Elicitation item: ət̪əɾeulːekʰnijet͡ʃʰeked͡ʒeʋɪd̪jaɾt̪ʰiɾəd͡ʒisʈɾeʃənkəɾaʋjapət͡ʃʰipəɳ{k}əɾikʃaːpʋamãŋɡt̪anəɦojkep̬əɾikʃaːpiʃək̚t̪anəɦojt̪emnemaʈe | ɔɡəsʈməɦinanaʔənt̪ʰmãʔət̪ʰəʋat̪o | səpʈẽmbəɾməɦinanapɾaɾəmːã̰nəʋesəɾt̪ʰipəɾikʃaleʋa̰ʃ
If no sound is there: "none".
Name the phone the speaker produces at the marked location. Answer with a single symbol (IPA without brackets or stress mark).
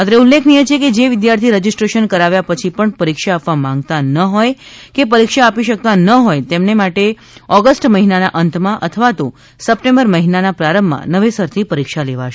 p